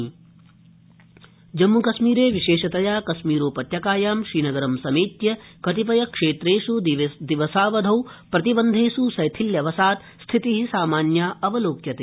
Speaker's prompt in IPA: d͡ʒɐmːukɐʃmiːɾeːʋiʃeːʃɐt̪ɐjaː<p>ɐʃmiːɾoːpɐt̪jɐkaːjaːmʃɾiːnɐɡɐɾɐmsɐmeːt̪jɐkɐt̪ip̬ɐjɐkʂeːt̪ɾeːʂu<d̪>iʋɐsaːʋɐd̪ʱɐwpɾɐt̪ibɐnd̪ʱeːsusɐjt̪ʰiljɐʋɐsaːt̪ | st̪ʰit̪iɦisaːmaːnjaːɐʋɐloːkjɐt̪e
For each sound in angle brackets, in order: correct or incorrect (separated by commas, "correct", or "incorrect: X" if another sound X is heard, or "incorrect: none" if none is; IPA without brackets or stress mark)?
incorrect: k, correct